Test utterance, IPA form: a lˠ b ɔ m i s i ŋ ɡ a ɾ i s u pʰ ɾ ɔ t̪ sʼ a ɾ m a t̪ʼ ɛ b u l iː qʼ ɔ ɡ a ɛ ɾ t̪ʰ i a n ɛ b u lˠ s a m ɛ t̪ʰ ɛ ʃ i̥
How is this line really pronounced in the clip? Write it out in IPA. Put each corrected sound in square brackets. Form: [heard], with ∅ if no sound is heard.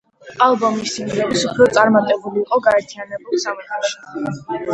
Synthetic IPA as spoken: a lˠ b ɔ m i s i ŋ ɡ [ɛ] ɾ i s u pʰ ɾ ɔ t̪ sʼ a ɾ m a t̪ʼ ɛ b u l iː qʼ ɔ ɡ a ɛ ɾ t̪ʰ i a n ɛ b u lˠ s a m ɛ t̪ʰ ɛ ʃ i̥